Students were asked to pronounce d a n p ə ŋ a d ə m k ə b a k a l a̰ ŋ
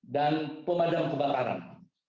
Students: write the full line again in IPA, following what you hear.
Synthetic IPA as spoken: d a n p ə m a d a m k ə b a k a ɾ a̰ n